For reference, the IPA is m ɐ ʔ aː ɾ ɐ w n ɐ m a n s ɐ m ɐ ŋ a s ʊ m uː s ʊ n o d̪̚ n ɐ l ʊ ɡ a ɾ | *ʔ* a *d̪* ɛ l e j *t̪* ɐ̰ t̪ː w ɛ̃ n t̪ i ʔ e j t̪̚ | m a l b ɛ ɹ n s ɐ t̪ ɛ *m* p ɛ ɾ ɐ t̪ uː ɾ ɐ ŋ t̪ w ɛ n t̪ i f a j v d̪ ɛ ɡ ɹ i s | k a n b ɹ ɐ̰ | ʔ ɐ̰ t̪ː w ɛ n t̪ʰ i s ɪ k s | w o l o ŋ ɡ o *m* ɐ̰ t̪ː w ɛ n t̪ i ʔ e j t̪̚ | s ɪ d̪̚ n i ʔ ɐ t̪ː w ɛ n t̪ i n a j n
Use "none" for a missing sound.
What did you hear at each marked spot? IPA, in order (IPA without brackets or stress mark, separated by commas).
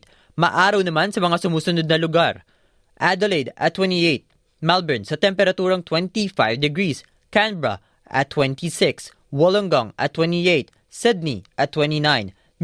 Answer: ʔ, d̪, d̪, m, ŋ